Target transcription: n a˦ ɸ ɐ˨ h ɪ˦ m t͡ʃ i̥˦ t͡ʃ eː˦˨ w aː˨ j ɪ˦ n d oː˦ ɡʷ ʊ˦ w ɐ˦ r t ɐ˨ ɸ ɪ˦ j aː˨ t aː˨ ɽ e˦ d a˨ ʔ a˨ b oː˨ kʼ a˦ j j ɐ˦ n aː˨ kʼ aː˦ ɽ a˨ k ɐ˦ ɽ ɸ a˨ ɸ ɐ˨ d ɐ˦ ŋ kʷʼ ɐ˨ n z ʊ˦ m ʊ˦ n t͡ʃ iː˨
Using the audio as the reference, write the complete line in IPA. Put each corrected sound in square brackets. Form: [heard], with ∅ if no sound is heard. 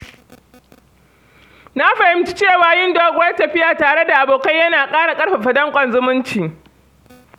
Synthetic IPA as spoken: n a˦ ɸ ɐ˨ h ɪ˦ m t͡ʃ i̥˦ t͡ʃ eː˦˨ w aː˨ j ɪ˦ n d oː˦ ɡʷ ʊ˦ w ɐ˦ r t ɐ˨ ɸ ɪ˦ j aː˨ t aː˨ ɽ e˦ d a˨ ʔ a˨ b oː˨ [k] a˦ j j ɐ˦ n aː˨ kʼ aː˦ ɽ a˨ [kʼ] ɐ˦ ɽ ɸ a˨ ɸ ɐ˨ d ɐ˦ ŋ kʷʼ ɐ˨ n z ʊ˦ m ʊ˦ n t͡ʃ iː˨